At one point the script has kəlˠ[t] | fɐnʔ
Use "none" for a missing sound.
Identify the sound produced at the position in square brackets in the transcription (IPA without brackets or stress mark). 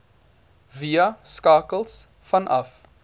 s